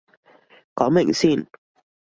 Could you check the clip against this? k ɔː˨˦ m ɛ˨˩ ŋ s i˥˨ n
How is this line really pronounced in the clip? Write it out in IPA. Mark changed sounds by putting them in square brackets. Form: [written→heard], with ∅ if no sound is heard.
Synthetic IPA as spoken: k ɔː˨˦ m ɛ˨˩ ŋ s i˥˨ n